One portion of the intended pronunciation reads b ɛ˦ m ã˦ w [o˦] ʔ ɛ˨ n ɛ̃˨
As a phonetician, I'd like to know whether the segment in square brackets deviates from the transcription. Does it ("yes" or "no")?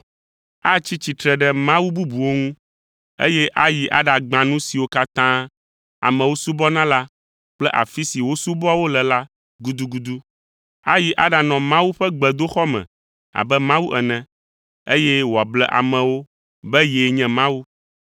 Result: yes